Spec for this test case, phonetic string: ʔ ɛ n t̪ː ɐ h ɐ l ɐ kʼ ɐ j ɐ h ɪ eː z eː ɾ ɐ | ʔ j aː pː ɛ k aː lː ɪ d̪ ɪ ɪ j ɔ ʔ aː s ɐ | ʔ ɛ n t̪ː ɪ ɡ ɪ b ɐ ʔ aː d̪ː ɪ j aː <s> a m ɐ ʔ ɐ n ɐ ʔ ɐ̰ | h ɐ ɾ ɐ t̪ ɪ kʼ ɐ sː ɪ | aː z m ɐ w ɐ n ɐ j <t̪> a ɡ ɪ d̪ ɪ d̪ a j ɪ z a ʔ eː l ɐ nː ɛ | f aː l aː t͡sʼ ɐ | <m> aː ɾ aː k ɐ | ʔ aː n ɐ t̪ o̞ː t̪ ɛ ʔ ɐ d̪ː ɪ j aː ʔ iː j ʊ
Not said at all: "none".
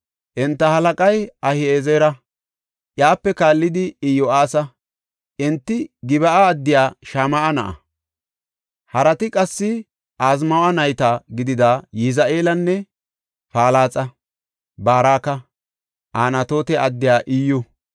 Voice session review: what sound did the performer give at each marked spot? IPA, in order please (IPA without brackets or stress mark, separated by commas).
ʃ, t̪, b